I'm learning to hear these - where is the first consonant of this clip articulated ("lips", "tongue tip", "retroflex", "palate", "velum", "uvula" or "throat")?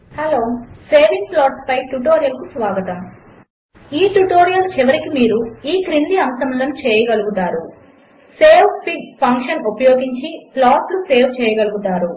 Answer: throat